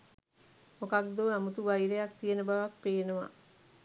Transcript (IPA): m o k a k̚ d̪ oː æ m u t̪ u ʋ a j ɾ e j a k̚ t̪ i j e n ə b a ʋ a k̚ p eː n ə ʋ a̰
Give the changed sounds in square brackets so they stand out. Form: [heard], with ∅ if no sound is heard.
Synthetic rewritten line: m o k a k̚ d̪ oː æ m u t̪ u ʋ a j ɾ e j a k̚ t̪ i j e n ə b a ʋ a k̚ p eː n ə ʋ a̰

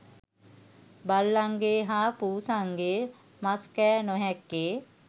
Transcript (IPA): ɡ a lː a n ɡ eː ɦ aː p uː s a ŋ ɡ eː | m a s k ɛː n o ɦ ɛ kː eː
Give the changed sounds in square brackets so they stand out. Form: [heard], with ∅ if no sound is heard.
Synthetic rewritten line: [b] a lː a [ŋ] ɡ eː ɦ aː p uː s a ŋ ɡ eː | m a s k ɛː n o ɦ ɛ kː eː

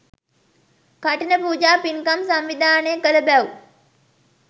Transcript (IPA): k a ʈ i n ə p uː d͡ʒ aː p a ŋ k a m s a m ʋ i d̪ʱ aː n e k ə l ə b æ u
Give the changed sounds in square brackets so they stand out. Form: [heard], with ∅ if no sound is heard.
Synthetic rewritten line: k a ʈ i n ə p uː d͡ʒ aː p [i] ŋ k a m s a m ʋ i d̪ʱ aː n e k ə l ə b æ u

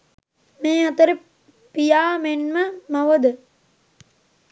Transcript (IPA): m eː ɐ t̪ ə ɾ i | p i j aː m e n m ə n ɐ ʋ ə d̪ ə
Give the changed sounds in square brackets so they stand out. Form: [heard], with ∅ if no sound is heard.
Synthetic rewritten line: m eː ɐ t̪ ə ɾ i | p i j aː m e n m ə [m] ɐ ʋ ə d̪ ə

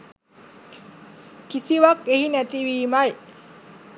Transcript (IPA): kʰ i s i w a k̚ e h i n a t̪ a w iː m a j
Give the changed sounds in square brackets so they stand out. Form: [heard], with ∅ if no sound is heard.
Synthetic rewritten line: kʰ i s i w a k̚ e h i n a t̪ [i] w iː m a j

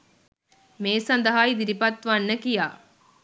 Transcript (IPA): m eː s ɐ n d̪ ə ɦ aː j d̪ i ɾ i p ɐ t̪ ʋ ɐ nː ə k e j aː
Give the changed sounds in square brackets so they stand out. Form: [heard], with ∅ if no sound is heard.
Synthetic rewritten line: m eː s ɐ n d̪ ə ɦ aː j d̪ i ɾ i p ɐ t̪ ʋ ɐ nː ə k [i] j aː

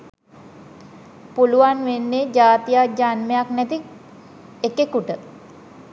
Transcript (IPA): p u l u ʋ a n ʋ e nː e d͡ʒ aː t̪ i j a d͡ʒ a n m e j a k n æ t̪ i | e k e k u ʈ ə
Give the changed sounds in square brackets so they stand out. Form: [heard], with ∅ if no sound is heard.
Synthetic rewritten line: p u l u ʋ a n ʋ e nː e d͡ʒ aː t̪ i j a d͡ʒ a n m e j a k n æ t̪ i | e k e k u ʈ ə

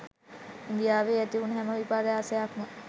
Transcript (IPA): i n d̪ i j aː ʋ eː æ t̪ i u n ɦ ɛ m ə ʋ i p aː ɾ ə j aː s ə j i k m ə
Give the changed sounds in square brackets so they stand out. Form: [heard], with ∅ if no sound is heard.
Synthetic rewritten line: i n d̪ i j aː ʋ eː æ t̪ i u n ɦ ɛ m ə ʋ i p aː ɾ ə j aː s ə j [a] k m ə

